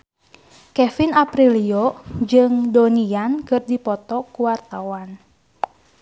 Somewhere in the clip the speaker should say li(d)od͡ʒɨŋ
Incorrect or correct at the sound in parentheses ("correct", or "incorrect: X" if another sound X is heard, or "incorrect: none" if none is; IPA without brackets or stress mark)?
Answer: incorrect: none